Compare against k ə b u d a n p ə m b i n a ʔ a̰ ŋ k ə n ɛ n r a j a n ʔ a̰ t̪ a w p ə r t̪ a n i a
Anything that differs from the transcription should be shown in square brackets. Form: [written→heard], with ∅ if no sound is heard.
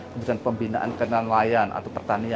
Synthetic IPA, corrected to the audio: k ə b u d a n p ə m b i n a ʔ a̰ [ŋ→n] k ə n [ɛ→a] n [r→l] a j a n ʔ a̰ t̪ a w p ə r t̪ a n i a